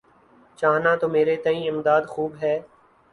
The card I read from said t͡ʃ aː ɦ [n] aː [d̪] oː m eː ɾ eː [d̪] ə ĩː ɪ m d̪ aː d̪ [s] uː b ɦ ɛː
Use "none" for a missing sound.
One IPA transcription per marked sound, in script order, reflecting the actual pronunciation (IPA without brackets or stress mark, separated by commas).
n, t̪, t̪, x